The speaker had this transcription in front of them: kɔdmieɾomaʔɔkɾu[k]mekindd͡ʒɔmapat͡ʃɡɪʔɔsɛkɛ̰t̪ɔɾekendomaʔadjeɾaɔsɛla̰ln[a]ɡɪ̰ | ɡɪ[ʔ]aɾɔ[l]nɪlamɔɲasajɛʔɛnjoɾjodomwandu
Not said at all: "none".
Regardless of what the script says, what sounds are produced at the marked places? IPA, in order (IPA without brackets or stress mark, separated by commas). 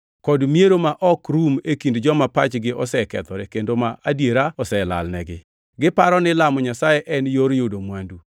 none, ɛ, p, none